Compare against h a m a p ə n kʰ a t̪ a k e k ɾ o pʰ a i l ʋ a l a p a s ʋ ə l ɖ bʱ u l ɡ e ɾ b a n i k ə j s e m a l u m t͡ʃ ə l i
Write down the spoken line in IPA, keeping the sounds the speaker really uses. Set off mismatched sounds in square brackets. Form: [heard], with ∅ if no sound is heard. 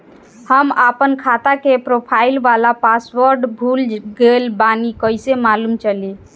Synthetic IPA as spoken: h [ə] m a p ə n kʰ a t̪ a k e [p] ɾ o pʰ a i l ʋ a l a p a s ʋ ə [ɾ] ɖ bʱ u l ɡ e [l] b a n i k ə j s e m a l u m t͡ʃ ə l i